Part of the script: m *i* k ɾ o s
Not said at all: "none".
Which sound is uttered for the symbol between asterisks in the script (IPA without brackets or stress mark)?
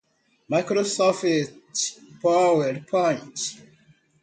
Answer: a